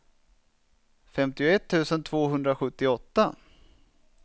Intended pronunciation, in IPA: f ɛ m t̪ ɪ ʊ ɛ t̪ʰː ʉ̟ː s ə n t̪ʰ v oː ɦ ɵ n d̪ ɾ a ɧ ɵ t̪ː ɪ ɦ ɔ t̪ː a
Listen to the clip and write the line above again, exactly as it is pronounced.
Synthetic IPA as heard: f ɛ m t̪ ɪ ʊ ɛ t̪ʰː ʉ̟ː s ə n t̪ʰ v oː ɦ ɵ n d̪ ɾ a ɧ ɵ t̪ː ɪ ɔ t̪ː a